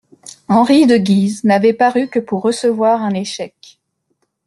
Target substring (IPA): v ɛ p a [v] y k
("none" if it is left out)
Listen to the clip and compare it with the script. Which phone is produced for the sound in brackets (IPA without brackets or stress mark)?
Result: ʁ